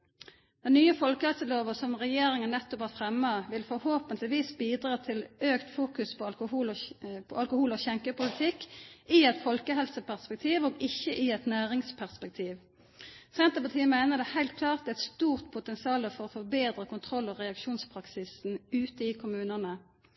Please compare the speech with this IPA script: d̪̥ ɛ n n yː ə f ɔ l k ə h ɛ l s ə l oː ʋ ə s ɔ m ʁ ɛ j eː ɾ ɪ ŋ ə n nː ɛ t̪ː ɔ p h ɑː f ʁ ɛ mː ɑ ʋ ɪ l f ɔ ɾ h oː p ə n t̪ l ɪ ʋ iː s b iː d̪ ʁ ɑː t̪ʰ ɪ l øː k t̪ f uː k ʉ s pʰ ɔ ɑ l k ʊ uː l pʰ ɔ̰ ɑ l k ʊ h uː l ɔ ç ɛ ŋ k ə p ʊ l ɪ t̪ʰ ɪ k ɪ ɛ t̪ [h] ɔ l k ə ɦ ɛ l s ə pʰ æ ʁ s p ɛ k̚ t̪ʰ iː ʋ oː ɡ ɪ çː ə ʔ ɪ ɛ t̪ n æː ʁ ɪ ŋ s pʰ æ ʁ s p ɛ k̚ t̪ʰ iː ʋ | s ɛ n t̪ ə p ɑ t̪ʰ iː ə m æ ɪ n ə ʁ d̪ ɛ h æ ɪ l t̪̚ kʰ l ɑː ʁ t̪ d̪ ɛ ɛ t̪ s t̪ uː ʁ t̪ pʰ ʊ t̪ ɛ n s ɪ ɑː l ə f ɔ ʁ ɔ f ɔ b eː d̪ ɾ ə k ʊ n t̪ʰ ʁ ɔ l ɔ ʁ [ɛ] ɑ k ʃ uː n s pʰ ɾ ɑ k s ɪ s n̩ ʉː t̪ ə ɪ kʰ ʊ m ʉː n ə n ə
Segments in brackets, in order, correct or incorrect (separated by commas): incorrect, correct